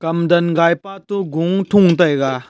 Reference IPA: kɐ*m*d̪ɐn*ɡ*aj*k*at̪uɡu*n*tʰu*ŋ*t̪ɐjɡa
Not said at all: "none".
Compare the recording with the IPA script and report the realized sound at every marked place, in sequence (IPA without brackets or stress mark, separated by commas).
m, ɡ, p, ŋ, ŋ